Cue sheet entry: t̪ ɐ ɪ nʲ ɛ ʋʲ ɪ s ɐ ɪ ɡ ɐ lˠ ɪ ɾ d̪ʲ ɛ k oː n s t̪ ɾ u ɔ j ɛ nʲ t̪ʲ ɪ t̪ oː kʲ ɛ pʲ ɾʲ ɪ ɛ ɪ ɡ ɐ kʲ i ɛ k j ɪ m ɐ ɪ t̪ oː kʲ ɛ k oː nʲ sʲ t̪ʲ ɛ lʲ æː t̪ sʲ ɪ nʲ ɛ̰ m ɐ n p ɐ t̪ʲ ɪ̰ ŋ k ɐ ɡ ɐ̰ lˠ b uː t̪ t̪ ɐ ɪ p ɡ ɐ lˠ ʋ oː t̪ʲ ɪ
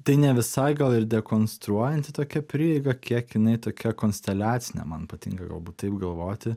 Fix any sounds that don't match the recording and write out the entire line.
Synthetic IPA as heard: t̪ ɐ ɪ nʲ ɛ ʋʲ ɪ s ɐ ɪ ɡ ɐ lˠ ɪ ɾ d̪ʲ ɛ k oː n s t̪ ɾ u ɔ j ɛ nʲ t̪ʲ ɪ t̪ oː kʲ ɛ pʲ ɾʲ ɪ ɛ ɪ ɡ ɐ kʲ i ɛ k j ɪ n ɐ ɪ t̪ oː kʲ ɛ k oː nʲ sʲ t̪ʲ ɛ lʲ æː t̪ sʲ ɪ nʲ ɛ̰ m ɐ n p ɐ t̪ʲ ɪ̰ ŋ k ɐ ɡ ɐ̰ lˠ b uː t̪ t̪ ɐ ɪ p ɡ ɐ lˠ ʋ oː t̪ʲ ɪ